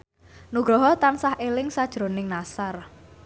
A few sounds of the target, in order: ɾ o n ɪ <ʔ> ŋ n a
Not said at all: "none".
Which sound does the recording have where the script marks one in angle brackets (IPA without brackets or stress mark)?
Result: none